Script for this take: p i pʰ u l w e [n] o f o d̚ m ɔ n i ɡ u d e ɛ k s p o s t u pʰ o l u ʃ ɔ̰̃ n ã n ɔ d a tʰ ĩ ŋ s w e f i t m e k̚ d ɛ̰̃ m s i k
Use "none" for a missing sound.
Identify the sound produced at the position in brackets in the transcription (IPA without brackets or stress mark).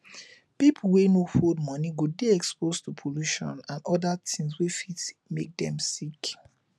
n